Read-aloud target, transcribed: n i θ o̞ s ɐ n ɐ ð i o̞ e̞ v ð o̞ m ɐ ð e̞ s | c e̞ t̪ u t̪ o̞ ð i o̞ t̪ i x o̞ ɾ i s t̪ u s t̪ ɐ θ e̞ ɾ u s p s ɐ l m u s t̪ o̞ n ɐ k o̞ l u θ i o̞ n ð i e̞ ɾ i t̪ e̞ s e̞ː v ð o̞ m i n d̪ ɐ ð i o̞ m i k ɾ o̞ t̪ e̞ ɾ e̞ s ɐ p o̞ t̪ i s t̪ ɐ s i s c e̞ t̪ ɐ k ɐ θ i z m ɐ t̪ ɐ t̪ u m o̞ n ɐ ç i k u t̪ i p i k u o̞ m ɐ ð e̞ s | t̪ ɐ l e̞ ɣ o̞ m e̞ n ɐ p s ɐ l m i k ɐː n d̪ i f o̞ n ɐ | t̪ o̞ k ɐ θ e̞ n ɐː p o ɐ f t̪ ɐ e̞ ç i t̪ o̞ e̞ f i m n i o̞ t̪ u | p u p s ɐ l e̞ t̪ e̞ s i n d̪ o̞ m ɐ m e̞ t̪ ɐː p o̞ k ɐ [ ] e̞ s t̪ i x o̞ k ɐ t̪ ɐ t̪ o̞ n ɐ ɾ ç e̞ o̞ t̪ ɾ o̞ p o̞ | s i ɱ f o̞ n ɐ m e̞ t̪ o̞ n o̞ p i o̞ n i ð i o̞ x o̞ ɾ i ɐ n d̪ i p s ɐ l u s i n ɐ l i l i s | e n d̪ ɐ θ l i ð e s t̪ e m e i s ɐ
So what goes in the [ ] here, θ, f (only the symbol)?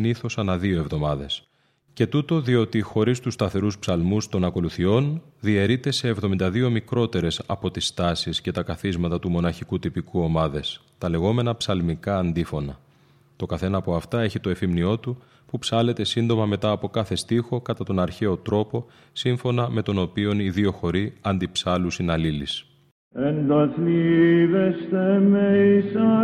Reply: θ